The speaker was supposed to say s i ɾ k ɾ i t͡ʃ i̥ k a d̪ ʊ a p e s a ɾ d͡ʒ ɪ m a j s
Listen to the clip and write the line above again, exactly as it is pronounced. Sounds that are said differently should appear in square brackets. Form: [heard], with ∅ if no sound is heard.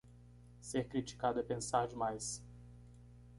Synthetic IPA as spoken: s [e] ɾ k ɾ i t͡ʃ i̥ k a d̪ ʊ [ɛ] p [ẽ] s a ɾ d͡ʒ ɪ m a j s